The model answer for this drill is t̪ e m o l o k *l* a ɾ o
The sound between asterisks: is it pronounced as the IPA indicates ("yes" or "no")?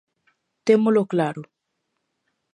yes